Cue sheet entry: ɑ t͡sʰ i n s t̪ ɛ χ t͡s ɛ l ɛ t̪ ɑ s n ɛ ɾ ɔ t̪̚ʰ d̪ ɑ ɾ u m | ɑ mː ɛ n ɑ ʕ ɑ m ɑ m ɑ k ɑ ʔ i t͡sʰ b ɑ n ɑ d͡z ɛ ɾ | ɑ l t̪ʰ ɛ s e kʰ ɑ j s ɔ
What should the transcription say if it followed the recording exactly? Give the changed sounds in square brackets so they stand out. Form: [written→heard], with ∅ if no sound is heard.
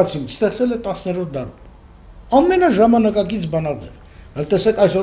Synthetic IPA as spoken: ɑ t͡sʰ i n s t̪ ɛ χ t͡s ɛ l ɛ t̪ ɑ s n ɛ ɾ ɔ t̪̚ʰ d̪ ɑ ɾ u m | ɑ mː ɛ n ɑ [ʕ→ʒ] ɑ m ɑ [m→n] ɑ k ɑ [ʔ→k] i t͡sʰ b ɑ n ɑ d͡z ɛ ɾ | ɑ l [t̪ʰ→t̪] ɛ s [e→ɛ] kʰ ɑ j s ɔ